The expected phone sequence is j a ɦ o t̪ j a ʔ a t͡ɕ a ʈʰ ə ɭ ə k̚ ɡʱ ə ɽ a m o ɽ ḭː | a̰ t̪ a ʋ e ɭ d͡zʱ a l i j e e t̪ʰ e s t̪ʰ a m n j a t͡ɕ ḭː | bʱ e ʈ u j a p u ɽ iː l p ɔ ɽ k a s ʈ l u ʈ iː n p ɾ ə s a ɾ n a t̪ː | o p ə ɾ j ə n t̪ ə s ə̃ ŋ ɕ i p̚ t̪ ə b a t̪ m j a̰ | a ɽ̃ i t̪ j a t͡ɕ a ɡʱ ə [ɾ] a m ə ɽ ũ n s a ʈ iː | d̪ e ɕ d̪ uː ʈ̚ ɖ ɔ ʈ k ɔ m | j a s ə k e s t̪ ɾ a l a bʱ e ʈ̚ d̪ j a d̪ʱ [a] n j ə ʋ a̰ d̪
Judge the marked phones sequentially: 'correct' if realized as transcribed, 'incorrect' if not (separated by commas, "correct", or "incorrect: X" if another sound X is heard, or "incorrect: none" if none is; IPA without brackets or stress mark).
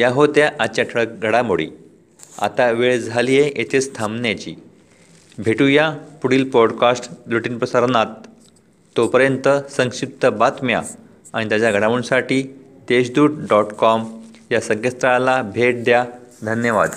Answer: incorrect: ɽ, incorrect: ə